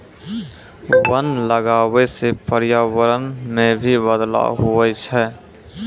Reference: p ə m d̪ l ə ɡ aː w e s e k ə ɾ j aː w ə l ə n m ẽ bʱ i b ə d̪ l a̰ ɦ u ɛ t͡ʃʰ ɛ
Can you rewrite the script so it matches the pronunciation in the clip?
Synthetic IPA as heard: b ə n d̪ l ə ɡ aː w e s e p ə ɾ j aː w ə ɾ ə n m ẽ bʱ i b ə d̪ l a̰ ɦ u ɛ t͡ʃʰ ɛ